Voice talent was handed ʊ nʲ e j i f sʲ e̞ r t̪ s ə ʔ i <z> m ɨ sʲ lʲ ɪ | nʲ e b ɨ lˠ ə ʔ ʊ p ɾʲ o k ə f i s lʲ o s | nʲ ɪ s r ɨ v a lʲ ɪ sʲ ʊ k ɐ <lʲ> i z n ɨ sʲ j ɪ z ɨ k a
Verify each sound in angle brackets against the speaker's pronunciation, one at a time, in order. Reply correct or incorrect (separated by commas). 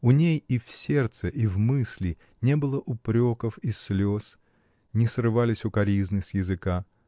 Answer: incorrect, incorrect